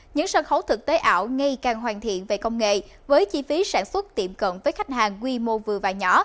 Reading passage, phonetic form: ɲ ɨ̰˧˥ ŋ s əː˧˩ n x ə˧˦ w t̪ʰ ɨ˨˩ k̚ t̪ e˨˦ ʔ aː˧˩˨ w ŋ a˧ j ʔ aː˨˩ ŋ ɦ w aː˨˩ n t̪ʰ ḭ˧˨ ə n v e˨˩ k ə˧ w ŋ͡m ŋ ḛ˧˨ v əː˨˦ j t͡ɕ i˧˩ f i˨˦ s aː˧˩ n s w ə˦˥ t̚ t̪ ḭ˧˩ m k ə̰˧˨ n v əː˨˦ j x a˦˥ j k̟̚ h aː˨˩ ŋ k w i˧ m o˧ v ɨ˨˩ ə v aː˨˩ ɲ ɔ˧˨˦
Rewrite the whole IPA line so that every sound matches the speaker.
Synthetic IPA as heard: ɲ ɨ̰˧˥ ŋ s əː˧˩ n x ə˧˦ w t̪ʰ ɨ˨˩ k̚ t̪ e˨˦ ʔ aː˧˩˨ w ŋ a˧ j k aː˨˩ ŋ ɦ w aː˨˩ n t̪ʰ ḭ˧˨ ə n v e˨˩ k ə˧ w ŋ͡m ŋ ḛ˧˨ v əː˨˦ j t͡ɕ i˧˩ f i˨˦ s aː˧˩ n s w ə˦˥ t̚ t̪ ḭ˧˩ m k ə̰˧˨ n v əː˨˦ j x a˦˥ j k̟̚ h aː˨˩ ŋ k w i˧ m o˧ v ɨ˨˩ ə v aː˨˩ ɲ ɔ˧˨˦